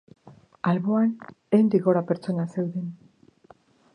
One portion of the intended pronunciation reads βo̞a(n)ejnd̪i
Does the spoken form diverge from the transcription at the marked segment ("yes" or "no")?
no